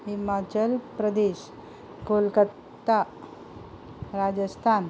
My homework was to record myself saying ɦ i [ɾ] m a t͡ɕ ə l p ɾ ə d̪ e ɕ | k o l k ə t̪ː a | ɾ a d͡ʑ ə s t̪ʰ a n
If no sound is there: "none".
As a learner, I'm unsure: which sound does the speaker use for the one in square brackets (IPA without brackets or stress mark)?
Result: none